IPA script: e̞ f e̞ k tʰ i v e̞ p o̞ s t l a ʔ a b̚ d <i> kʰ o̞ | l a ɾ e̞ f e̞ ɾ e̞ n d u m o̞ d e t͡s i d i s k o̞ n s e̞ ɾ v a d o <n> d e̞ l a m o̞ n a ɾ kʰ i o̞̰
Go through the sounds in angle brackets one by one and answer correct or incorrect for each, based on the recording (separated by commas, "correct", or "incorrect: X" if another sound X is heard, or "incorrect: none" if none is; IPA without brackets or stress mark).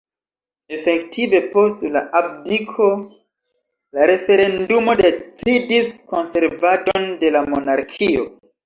correct, correct